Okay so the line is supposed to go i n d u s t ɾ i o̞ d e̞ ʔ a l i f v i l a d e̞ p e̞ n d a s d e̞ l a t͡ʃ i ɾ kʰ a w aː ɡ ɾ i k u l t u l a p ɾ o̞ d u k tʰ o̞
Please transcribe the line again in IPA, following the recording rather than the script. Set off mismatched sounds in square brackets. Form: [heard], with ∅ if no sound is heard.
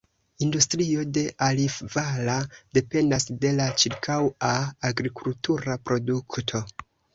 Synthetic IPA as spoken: i n d u s t ɾ i o̞ d e̞ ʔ a l i f v [a] l a d e̞ p e̞ n d a s d e̞ l a t͡ʃ i ɾ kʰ a w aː ɡ ɾ i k u l t u [ɾ] a p ɾ o̞ d u k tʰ o̞